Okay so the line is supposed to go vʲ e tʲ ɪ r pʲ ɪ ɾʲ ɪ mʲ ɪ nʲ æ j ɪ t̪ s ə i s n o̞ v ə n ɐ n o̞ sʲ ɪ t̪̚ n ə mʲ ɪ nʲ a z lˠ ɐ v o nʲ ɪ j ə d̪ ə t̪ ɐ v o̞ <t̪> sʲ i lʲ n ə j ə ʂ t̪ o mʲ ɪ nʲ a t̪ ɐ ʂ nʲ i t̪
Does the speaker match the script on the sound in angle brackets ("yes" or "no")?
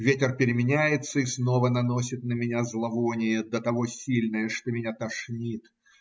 no